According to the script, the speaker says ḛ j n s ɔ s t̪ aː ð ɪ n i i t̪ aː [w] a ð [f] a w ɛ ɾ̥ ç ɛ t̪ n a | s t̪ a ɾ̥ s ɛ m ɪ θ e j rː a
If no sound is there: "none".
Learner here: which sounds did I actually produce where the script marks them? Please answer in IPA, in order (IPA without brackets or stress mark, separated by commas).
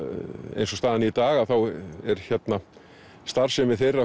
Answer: ɣ, θ